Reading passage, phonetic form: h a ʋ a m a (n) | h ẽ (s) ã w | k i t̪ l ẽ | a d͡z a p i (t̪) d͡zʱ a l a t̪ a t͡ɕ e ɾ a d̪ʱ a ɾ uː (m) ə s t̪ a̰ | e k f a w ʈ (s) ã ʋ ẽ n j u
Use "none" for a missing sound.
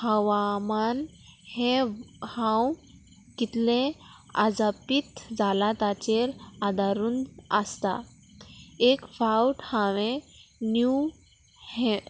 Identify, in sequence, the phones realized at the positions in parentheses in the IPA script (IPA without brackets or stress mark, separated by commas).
n, h, t̪, n, h